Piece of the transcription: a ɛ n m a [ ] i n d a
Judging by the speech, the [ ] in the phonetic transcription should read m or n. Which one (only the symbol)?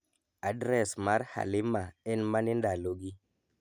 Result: n